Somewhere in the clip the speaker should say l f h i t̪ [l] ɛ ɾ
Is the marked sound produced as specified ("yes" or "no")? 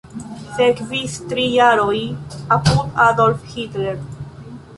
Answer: yes